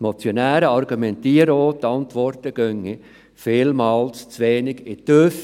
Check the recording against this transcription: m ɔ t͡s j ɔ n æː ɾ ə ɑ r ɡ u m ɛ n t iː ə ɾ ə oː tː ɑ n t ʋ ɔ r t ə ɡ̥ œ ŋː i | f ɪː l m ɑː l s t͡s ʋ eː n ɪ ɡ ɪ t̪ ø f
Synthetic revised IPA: m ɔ t͡s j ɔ n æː ɾ ə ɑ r ɡ u m ɛ n t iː ə ɾ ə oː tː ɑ n t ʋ ɔ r t ə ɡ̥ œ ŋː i | f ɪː l m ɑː l s t͡s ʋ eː n ɪ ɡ ɪ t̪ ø f